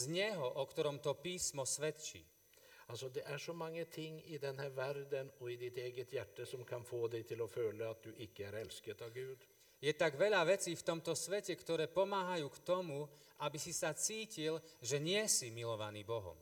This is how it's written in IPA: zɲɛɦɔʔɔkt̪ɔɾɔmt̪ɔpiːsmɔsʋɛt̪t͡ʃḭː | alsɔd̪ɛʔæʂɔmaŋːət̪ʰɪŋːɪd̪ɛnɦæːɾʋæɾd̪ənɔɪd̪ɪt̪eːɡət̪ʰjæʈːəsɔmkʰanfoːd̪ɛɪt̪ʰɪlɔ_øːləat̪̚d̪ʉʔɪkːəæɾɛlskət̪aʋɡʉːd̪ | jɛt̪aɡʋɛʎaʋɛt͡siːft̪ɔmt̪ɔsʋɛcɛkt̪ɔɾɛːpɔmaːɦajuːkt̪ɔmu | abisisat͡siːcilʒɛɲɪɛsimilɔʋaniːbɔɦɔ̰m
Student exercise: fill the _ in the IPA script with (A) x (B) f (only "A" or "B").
B